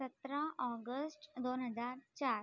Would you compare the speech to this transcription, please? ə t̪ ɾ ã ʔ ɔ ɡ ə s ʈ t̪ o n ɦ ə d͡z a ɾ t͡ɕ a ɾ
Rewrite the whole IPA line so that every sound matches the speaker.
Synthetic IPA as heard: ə t̪ ɾ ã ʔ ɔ ɡ ə s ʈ d̪ o n ɦ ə d͡z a ɾ t͡ɕ a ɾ